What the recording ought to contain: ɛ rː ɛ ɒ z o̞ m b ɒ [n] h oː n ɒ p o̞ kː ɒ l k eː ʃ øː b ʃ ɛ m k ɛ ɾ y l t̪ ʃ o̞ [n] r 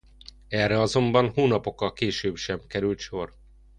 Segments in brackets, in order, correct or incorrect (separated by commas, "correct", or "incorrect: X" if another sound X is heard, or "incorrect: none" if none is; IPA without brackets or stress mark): correct, incorrect: none